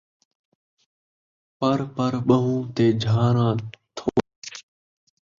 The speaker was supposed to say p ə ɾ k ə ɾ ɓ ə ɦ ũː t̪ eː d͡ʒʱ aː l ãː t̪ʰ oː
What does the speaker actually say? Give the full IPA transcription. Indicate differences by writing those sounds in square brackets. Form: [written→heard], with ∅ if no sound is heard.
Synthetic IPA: p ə ɾ [k→p] ə ɾ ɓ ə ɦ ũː t̪ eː d͡ʒʱ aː [l→ɾ] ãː t̪ʰ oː